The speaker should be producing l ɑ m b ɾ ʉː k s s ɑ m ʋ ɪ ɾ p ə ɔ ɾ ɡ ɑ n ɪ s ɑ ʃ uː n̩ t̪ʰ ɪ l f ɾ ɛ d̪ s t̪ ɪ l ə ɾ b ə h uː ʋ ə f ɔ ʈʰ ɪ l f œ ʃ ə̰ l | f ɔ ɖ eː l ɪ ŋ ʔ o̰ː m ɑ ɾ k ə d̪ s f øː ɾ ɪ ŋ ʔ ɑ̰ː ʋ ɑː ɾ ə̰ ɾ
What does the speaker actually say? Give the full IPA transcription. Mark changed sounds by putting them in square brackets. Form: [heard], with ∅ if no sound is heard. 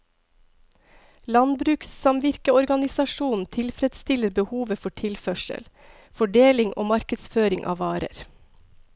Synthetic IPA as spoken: l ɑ [n] b ɾ ʉː k s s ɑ m ʋ ɪ ɾ [k] ə ɔ ɾ ɡ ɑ n ɪ s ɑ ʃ uː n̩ t̪ʰ ɪ l f ɾ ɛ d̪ s t̪ ɪ l ə ɾ b ə h uː ʋ ə f ɔ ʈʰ ɪ l f œ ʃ ə̰ l | f ɔ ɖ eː l ɪ ŋ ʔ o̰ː m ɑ ɾ k ə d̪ s f øː ɾ ɪ ŋ ʔ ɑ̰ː ʋ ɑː ɾ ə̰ ɾ